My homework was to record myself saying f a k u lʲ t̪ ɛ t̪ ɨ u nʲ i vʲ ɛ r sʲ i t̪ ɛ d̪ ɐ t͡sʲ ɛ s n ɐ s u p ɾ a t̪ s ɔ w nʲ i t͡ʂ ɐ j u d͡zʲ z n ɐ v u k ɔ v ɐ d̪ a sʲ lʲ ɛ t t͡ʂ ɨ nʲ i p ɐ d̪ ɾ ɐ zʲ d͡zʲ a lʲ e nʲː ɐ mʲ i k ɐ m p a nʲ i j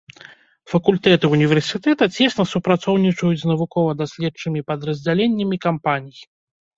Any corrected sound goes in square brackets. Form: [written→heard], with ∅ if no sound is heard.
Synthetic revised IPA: f [a→ɐ] k u lʲ t̪ ɛ t̪ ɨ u nʲ i vʲ ɛ r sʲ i t̪ ɛ [d̪→t̪] ɐ t͡sʲ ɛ s n ɐ s u p ɾ a t̪ s ɔ w nʲ i t͡ʂ ɐ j u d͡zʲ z n ɐ v u k ɔ v ɐ d̪ a sʲ lʲ ɛ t t͡ʂ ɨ [nʲ→mʲ] i p ɐ d̪ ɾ ɐ zʲ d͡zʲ a lʲ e nʲː ɐ mʲ i k [ɐ→a] m p a nʲ i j